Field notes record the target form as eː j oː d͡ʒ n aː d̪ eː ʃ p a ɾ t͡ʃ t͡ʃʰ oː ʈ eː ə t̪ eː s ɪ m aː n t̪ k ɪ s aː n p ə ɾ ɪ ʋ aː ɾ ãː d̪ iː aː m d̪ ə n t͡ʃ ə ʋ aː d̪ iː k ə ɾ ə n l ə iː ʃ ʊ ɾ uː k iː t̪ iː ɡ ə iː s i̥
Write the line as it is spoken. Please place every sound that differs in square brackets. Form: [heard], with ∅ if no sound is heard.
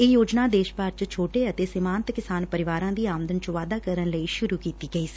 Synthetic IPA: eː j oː d͡ʒ n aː d̪ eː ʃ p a ɾ t͡ʃ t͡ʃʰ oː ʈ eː ə t̪ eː s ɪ m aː n t̪ k ɪ s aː n p ə ɾ ɪ ʋ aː ɾ ãː d̪ iː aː m d̪ ə n t͡ʃ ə ʋ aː d̪ [aː] k ə ɾ ə n l ə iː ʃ ʊ ɾ uː k iː t̪ iː ɡ ə iː s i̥